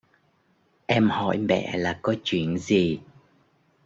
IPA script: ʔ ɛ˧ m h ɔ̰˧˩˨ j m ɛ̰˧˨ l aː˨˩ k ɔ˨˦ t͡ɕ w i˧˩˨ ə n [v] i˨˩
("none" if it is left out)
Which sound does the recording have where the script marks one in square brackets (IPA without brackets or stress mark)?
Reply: z